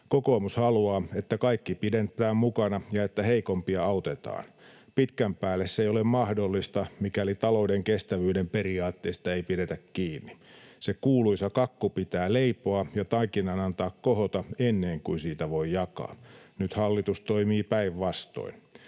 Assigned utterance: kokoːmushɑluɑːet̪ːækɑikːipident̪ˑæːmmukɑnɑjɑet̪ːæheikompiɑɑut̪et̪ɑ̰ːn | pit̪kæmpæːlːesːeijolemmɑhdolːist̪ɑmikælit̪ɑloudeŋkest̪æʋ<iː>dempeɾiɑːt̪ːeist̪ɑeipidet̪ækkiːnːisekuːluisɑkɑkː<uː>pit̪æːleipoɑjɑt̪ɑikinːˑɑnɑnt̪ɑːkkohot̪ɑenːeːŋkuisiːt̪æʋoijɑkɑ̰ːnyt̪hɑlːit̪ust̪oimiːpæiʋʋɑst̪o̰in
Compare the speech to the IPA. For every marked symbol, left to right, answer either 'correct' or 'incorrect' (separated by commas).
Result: incorrect, incorrect